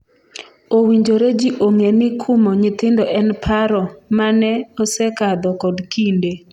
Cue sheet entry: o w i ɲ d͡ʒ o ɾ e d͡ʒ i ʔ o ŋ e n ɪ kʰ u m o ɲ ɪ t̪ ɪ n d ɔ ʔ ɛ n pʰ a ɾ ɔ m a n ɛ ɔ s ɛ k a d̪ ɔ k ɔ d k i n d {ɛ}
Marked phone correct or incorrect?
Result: incorrect: e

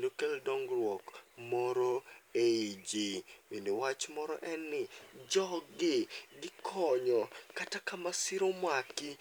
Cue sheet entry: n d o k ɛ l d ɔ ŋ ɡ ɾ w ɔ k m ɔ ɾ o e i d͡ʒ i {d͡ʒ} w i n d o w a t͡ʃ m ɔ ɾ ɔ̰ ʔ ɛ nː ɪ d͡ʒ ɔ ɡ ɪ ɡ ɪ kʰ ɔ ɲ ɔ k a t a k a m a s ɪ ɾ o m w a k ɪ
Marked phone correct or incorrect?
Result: incorrect: none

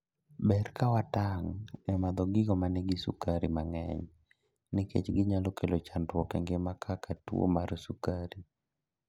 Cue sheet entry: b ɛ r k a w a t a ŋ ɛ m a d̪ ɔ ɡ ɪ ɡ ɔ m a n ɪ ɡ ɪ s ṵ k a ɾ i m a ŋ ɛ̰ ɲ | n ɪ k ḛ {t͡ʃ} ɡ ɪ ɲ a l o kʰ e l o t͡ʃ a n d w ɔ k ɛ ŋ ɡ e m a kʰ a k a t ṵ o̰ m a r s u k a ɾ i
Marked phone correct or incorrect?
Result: correct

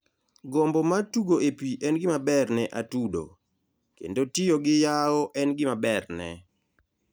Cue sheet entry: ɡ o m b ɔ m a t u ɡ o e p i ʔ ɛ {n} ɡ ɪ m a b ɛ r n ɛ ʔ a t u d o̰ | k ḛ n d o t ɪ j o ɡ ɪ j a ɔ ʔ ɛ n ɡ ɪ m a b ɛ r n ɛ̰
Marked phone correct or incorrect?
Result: correct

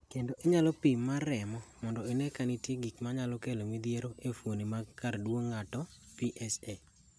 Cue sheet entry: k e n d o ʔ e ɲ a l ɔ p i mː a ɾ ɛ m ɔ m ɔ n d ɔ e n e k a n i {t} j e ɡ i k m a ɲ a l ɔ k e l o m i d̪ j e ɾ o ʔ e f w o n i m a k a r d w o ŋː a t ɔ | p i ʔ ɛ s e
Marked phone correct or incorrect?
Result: correct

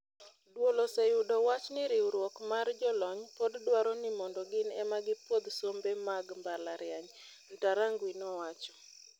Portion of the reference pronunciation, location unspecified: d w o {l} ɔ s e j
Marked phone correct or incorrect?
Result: correct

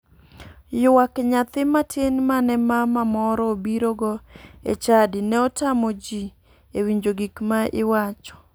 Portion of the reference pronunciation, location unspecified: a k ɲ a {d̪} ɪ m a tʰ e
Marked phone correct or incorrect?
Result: incorrect: t̪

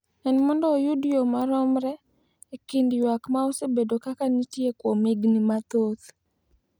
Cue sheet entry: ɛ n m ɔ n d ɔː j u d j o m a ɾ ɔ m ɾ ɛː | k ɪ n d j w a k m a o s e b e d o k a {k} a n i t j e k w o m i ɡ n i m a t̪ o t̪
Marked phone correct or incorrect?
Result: correct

